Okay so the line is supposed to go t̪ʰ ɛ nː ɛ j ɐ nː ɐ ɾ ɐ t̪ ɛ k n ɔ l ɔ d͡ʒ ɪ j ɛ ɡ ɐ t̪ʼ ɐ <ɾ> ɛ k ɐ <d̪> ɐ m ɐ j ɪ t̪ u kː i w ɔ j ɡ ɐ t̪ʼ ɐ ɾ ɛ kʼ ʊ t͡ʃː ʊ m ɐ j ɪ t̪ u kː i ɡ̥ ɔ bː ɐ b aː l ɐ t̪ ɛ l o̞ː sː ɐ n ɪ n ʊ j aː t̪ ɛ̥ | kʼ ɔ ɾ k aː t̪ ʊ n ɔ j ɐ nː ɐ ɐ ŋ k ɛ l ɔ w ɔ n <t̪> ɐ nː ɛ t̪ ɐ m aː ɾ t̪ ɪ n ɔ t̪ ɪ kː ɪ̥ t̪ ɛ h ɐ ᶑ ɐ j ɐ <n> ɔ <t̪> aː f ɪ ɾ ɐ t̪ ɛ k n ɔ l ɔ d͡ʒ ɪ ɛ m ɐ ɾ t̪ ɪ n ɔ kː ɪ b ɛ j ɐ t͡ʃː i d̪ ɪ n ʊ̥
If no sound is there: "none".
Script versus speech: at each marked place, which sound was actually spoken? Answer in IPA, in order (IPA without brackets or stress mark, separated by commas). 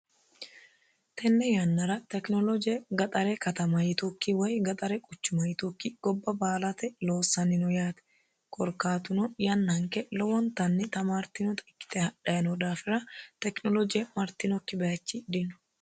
ɾ, t̪, t̪, n, d̪